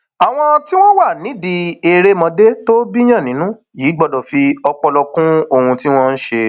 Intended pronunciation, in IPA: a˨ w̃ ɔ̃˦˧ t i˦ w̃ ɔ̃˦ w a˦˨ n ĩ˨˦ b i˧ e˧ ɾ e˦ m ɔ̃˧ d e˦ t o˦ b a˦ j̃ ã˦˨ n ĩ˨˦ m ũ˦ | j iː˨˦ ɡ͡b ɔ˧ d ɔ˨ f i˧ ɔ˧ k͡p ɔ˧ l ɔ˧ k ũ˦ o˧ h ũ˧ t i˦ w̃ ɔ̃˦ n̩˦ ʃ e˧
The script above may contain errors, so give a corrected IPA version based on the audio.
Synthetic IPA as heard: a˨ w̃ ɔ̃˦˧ t i˦ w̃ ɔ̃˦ w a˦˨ n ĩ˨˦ d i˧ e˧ ɾ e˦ m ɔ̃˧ d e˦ t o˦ b i˦ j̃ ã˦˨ n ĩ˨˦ n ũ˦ | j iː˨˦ ɡ͡b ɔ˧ d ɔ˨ f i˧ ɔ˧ k͡p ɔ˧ l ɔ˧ k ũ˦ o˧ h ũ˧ t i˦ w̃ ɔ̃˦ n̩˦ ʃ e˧